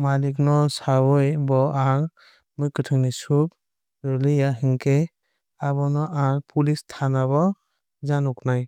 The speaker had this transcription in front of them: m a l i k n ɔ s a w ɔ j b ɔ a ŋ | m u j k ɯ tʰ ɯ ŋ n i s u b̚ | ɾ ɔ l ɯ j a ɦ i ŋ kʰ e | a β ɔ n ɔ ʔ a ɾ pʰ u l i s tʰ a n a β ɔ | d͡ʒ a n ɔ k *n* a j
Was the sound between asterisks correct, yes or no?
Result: yes